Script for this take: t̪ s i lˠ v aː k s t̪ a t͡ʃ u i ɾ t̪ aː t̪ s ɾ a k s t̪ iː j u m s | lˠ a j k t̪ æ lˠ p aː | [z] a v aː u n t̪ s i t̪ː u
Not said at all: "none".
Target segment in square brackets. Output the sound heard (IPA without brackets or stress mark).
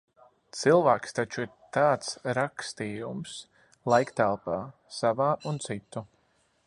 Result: s